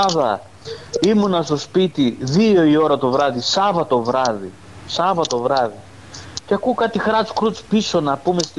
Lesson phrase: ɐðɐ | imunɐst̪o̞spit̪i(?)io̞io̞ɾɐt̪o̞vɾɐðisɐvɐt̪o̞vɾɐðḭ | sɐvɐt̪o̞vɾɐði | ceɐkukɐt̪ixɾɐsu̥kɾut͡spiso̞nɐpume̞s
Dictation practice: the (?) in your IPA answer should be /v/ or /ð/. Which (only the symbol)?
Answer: ð